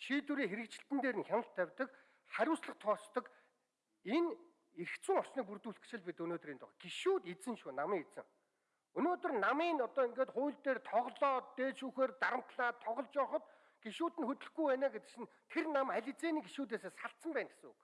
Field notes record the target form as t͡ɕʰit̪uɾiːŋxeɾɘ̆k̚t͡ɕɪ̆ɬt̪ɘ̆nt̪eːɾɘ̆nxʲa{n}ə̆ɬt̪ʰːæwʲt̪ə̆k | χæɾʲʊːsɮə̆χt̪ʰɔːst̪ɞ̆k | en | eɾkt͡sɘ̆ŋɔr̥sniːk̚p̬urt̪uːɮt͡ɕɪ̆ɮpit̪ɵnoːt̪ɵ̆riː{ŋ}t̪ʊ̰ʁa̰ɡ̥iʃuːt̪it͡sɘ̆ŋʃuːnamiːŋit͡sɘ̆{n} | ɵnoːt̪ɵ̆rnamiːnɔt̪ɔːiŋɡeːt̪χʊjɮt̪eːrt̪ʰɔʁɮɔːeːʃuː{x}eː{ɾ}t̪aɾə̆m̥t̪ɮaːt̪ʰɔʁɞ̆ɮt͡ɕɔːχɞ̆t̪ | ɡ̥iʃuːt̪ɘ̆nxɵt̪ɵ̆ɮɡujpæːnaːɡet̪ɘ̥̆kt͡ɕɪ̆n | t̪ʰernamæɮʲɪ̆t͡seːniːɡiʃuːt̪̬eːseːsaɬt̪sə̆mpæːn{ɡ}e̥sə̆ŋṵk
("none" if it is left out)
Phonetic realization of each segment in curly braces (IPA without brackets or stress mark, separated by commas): n, n, ŋ, x, r, ɡ